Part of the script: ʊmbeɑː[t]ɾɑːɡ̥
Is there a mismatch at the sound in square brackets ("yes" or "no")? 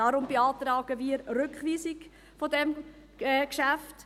no